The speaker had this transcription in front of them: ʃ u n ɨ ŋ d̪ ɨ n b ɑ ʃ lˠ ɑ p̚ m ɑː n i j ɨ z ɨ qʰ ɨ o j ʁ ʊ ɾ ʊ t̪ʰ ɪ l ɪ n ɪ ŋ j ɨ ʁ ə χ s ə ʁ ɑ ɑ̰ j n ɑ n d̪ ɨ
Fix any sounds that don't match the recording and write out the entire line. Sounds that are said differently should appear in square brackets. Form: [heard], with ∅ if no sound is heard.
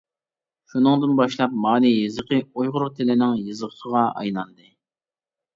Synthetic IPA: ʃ u n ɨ ŋ d̪ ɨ n b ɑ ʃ lˠ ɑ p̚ m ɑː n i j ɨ z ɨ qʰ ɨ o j ʁ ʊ ɾ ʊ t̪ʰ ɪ l ɪ n ɪ ŋ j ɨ [z] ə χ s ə ʁ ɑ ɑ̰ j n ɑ n d̪ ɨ